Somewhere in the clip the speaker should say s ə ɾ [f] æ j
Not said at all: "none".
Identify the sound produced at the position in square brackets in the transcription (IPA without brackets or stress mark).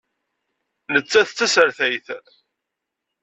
θ